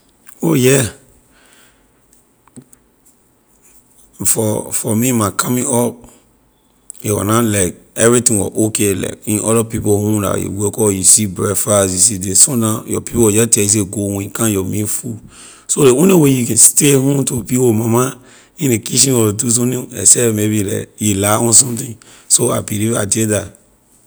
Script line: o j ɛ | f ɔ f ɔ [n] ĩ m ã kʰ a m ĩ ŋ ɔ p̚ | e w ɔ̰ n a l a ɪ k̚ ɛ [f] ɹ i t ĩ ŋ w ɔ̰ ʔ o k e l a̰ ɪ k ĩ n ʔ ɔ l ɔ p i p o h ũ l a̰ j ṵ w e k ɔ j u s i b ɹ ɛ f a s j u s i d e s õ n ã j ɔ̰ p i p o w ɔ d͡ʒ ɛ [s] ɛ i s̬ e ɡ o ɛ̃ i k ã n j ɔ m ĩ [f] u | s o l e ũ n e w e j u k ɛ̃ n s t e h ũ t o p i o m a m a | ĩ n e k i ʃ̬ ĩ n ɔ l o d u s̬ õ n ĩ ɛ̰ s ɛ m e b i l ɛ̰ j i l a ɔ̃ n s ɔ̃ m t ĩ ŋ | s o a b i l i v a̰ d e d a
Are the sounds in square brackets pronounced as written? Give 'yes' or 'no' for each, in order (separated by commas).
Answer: no, no, no, yes